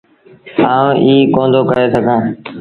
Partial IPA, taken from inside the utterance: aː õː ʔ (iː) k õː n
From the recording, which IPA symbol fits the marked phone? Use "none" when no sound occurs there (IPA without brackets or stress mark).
iː